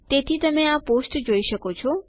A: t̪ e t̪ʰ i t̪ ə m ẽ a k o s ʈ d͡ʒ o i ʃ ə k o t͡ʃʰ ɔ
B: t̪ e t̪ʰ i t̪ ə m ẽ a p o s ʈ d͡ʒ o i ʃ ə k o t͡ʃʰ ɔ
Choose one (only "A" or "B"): B